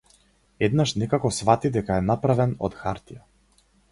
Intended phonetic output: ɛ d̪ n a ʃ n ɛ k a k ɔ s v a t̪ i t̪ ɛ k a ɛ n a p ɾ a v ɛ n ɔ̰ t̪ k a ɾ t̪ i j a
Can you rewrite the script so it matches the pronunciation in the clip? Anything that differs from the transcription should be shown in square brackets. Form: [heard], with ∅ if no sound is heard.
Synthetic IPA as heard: ɛ d̪ n a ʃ n ɛ k a k ɔ s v a t̪ i [d̪] ɛ k a ɛ n a p ɾ a v ɛ n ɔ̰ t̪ [x] a ɾ t̪ i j a